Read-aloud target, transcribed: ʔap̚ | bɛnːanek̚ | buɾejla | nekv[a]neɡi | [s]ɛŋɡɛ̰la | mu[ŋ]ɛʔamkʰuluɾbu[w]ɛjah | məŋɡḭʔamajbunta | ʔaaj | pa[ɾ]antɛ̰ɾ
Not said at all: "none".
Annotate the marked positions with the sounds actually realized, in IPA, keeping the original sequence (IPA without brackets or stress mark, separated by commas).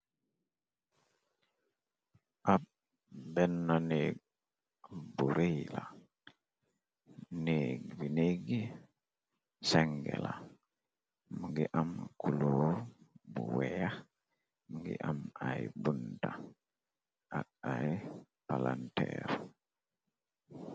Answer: i, s, ɡ, w, l